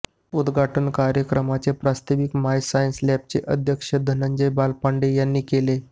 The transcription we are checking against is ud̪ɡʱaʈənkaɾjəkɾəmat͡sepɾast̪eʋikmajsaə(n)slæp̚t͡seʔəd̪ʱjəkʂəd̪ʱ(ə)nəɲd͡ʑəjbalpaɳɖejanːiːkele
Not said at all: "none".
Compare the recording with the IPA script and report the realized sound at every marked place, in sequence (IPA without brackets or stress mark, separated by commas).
n, ə